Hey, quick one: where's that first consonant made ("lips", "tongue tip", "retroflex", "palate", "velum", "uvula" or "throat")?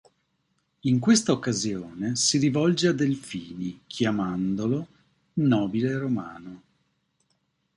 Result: velum